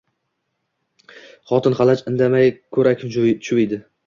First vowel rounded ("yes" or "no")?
yes